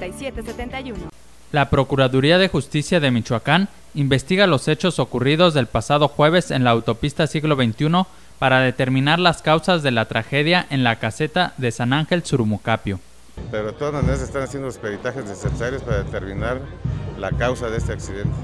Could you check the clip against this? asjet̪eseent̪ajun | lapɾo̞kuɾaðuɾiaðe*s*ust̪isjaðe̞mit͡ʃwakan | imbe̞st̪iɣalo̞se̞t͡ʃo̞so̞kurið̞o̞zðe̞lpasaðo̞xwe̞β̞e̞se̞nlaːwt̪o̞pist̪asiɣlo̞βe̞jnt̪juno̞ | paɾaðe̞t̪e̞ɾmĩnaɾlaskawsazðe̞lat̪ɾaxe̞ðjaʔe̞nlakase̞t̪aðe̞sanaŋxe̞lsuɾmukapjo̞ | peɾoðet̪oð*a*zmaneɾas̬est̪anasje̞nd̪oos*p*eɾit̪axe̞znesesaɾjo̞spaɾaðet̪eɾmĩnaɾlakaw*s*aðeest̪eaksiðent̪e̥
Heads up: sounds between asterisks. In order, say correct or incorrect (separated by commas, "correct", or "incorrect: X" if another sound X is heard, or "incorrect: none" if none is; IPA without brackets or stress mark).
incorrect: x, correct, correct, correct